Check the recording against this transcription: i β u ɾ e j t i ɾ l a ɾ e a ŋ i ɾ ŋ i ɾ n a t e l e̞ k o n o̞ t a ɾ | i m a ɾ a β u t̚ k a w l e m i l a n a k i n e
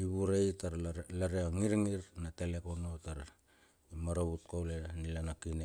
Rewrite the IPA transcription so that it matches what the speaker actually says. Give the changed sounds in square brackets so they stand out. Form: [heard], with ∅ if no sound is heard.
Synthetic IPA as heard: i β u ɾ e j t [a] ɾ l a ɾ e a ŋ i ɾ ŋ i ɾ n a t e l e̞ k o n o̞ t a ɾ | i m a ɾ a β u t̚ k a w l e [n] i l a n a k i n e

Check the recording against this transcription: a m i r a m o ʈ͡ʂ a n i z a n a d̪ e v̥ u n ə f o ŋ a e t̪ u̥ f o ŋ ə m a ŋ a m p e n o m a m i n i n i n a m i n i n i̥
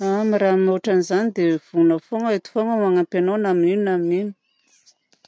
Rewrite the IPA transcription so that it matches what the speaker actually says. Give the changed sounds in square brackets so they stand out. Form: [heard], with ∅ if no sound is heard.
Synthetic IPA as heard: a m i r a m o ʈ͡ʂ a n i z a n [i] d̪ e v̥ u n ə f o ŋ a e t̪ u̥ f o ŋ ə m a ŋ a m p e n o [n] a m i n i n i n a m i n i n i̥

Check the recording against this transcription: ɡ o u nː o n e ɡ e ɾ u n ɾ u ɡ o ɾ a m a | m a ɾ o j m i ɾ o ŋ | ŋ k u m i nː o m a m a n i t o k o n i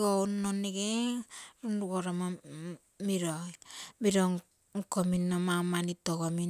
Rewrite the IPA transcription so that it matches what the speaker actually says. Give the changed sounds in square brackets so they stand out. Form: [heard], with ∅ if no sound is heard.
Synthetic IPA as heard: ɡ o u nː o n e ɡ e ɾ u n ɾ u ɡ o ɾ a m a | m [i] ɾ o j m i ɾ o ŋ | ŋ k [o] m i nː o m a m a n i t o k o [m] i

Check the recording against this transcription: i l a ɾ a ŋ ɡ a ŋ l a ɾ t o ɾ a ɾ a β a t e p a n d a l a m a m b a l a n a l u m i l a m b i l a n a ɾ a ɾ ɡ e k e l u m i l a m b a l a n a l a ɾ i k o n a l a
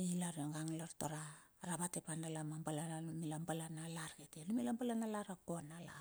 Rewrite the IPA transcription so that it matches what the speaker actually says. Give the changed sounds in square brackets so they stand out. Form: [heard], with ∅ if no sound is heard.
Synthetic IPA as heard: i l a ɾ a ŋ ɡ a ŋ l a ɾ t o ɾ a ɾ a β a t e p a n d a l a m a m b a l a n a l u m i l a m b [a] l a n a [l] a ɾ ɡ e [t] e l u m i l a m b a l a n a l a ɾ [a] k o n a l a

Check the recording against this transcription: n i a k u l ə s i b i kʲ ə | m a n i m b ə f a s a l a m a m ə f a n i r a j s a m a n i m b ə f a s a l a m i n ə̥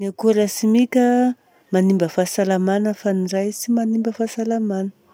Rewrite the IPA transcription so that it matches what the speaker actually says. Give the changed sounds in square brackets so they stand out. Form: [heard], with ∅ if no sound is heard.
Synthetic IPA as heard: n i a k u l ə s i [m] i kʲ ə | m a n i m b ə f a s a l a m a [n] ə f a n i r a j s [i] m a n i m b ə f a s a l a m [a] n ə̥

